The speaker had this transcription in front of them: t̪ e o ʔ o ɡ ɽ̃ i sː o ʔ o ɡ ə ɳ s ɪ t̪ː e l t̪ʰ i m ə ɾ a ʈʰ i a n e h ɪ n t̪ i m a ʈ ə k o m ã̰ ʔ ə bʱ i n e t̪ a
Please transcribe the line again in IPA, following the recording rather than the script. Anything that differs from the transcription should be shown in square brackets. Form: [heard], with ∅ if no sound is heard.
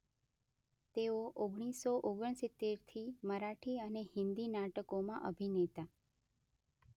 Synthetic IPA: t̪ e o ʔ o ɡ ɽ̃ i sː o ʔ o ɡ ə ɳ s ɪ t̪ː e [ɾ] t̪ʰ i m ə ɾ a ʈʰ i [ə] n e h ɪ n [d̪] i [n] a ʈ ə k o m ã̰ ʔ ə bʱ i n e t̪ a